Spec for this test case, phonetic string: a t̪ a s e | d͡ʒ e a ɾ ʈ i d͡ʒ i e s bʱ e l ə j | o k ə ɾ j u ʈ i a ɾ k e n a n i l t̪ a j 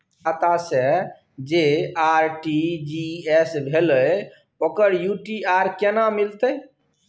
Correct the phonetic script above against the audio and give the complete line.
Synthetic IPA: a t̪ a s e | d͡ʒ e a ɾ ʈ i d͡ʒ i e s bʱ e l ə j | o k ə ɾ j u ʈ i a ɾ k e n a m i l t̪ ə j